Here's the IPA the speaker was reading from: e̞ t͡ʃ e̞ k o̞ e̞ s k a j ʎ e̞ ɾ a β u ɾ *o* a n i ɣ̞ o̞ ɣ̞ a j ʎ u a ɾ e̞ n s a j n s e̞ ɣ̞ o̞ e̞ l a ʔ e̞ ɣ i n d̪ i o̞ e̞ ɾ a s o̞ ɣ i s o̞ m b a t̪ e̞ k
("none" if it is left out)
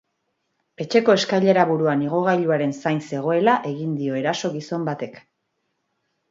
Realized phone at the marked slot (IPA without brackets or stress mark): u